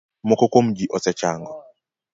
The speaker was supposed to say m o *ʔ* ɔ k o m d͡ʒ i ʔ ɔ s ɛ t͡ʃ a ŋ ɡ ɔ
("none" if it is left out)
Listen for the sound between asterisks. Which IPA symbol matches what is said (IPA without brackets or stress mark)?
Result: k